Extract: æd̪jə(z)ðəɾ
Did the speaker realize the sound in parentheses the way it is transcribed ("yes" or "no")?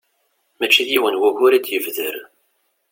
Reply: no